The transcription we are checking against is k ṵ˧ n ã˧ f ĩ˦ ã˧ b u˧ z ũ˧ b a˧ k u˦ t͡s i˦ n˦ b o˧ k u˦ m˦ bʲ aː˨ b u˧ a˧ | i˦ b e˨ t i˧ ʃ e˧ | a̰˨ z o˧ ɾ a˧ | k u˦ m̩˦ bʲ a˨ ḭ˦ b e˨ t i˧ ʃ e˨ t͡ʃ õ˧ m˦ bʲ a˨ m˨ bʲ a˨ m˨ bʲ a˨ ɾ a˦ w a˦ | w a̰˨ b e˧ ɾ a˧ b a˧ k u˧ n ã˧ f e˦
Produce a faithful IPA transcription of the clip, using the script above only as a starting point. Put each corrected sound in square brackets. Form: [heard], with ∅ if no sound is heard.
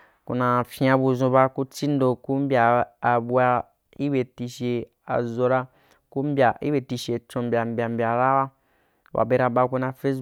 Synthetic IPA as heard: k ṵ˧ n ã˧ f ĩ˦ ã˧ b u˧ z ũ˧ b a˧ k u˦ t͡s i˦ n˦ [d] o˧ k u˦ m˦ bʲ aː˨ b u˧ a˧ | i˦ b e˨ t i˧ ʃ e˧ | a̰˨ z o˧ ɾ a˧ | k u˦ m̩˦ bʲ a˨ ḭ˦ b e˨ t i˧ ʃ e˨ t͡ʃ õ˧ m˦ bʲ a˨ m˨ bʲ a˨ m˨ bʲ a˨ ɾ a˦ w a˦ | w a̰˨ b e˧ ɾ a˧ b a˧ k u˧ n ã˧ f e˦